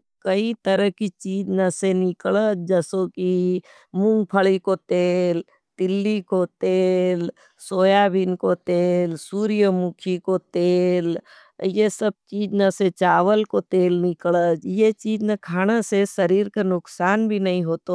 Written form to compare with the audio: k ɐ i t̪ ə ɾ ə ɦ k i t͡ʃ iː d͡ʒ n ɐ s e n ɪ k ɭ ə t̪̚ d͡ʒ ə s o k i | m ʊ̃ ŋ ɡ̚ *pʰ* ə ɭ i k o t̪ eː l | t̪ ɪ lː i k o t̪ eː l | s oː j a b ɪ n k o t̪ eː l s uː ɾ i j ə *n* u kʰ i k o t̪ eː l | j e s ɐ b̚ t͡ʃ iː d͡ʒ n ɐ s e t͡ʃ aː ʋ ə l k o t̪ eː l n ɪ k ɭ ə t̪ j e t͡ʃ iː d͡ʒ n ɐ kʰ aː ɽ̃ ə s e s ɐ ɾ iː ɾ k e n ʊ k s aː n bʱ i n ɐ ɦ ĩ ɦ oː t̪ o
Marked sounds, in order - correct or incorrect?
correct, incorrect: m

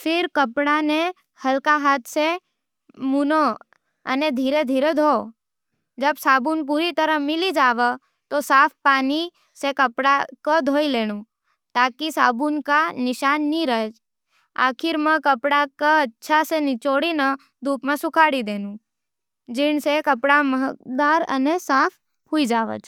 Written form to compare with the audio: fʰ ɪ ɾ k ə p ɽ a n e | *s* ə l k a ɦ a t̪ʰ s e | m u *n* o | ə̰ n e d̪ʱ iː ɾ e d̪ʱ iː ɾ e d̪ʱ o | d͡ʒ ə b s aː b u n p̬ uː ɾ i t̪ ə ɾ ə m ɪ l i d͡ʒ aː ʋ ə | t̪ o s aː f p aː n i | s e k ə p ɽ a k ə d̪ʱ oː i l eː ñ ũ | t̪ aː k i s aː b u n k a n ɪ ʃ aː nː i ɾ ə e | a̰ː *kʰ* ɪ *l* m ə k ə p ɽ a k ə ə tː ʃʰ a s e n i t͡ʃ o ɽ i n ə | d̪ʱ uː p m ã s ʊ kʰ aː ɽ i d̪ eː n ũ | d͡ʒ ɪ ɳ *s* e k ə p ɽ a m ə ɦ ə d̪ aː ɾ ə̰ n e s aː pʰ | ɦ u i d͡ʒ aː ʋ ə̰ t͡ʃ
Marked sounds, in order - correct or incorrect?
incorrect: h, correct, correct, incorrect: ɾ, correct

